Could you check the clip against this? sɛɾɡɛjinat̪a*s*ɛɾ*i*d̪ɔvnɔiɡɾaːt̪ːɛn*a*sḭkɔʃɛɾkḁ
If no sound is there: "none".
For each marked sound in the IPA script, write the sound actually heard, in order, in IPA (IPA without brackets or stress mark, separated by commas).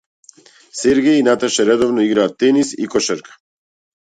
ʃ, ɛ, i